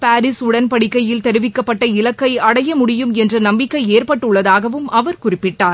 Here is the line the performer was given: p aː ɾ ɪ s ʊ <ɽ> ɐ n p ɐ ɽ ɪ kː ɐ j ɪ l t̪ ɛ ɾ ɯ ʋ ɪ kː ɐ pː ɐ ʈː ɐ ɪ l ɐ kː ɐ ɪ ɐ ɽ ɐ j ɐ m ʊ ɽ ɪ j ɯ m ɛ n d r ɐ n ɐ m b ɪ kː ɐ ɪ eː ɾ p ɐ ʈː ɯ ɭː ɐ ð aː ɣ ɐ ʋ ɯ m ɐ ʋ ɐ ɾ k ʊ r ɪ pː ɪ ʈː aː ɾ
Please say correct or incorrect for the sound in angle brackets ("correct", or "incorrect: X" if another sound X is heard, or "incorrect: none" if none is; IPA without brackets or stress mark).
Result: correct